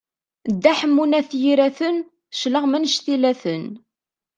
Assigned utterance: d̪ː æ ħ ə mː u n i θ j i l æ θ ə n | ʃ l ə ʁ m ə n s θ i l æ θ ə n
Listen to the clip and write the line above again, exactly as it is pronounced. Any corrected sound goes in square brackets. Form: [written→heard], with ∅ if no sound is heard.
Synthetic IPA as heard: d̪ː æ ħ ə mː u n [i→æ] θ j i [l→ɾ] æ θ ə n | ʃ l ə ʁ m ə n [s→ʃ] θ i l æ θ ə n